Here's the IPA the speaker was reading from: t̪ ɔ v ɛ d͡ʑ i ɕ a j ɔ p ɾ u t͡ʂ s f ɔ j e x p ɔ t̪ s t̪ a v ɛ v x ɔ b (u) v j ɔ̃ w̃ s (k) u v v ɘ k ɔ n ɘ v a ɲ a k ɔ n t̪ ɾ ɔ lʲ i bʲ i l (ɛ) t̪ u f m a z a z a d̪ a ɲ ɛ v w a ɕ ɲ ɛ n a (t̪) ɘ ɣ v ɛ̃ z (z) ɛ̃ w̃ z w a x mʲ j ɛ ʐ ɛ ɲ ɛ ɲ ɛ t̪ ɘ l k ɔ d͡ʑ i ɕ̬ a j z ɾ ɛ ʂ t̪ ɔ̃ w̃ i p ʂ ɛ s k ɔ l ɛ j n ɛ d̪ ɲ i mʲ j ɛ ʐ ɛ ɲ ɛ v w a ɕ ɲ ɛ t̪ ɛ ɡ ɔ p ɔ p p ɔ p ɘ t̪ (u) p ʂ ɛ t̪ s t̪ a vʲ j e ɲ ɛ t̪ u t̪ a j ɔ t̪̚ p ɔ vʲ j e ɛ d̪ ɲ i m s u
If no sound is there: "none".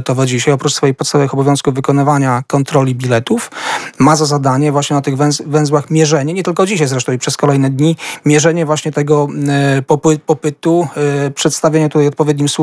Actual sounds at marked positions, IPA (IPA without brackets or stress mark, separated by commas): ɔ, k, ɛ, t̪, v, u